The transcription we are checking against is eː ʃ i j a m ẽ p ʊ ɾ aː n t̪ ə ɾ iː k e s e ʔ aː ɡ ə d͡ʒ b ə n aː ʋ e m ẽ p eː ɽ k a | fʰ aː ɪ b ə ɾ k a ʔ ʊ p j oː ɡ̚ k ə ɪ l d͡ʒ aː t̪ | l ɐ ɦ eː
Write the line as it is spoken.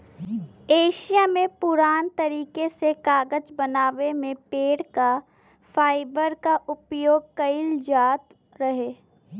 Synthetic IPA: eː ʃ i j a m ẽ p ʊ ɾ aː n t̪ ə ɾ iː k e s e k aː ɡ ə d͡ʒ b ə n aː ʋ e m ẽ p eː ɽ k a | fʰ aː ɪ b ə ɾ k a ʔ ʊ p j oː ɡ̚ k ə ɪ l d͡ʒ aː t̪ | ɾ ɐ ɦ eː